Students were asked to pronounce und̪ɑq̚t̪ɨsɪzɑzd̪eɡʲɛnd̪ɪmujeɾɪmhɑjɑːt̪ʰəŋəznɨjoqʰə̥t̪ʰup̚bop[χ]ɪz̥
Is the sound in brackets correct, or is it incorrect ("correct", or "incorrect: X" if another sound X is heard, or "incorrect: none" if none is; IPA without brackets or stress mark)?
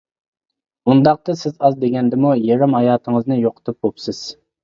incorrect: s